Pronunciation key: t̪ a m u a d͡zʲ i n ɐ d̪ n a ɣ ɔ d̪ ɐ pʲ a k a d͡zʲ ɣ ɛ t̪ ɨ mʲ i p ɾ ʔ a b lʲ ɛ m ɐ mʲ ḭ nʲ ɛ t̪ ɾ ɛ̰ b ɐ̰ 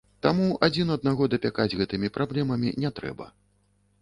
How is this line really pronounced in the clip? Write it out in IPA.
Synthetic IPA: t̪ a m u a d͡zʲ i n ɐ d̪ n a ɣ ɔ d̪ ɐ pʲ a k a d͡zʲ ɣ ɛ t̪ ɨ mʲ i p ɾ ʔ a b lʲ ɛ m ɐ mʲ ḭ nʲ ɛ t̪ ɾ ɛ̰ b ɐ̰